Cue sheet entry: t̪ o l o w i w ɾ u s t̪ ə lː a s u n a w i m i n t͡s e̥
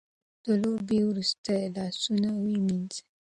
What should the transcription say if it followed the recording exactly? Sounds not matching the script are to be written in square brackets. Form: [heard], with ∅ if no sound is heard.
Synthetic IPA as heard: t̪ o l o [b] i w ɾ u s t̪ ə [l] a s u n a w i m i n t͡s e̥

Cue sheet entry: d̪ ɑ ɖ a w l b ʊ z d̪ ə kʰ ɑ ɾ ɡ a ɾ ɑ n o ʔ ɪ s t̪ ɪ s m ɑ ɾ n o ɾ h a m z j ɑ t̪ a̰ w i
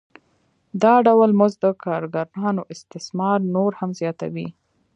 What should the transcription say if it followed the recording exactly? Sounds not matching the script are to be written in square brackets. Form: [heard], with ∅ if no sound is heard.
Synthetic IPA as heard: d̪ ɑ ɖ a w l [m] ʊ z d̪ ə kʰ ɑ ɾ ɡ a ɾ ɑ n o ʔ ɪ s t̪ ɪ s m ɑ ɾ n o ɾ h a m z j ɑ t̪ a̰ w i

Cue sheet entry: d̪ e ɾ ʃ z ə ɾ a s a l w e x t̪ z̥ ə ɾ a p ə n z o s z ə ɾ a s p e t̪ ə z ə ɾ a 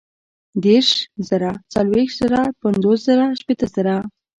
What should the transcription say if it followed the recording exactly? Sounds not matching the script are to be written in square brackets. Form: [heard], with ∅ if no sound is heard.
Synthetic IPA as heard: d̪ e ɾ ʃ z ə ɾ a [t͡s] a l w e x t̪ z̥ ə ɾ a p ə n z o s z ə ɾ a [ʃ] p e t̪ ə z ə ɾ a

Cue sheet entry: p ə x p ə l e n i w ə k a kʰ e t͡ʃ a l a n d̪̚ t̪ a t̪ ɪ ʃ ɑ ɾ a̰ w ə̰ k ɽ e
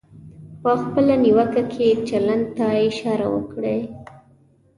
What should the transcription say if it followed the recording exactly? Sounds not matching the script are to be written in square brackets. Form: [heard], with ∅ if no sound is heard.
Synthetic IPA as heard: p ə x p ə l [a] n i w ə k a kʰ e t͡ʃ a l a n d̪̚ t̪ a [∅] ɪ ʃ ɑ ɾ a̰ w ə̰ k ɽ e

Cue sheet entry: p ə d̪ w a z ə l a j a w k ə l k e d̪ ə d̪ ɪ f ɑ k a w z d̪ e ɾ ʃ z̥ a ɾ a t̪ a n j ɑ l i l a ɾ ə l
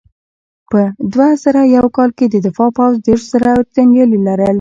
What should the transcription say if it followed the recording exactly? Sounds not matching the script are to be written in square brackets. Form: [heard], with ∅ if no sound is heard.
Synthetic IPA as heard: p ə d̪ w a z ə [ɾ] a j a w k [ɑ] l k e d̪ ə d̪ ɪ f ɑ [p] a w z d̪ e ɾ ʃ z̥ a ɾ a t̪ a n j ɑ l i l a ɾ ə l

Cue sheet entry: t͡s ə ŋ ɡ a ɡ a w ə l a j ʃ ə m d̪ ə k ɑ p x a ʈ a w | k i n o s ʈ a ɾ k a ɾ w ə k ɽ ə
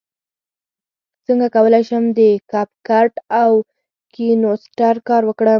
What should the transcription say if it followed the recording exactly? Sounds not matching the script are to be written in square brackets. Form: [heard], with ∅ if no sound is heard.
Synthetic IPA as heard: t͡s ə ŋ ɡ a [k] a w ə l a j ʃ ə m d̪ ə k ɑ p [k] a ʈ a w | k i n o s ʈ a ɾ k [ɑ] ɾ w ə k ɽ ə

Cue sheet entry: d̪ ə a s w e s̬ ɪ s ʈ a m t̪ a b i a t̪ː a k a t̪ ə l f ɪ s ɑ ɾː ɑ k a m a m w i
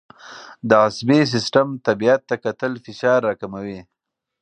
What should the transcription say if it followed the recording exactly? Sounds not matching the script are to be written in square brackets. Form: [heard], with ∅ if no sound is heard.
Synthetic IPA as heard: d̪ ə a s [b] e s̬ ɪ s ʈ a m t̪ a b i a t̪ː a k a t̪ ə l f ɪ [ʃ] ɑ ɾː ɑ k a m a [∅] w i

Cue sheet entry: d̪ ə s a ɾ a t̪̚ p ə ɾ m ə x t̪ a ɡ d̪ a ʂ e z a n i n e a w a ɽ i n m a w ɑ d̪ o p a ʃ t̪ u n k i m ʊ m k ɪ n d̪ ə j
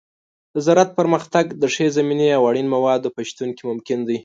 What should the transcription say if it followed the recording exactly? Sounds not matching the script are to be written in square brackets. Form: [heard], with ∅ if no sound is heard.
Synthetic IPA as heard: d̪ ə [z] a ɾ a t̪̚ p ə ɾ m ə x t̪ a ɡ d̪ [ə] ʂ e z a [m] i n e a w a ɽ i n m a w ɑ d̪ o p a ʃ t̪ u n k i m ʊ m k ɪ n d̪ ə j

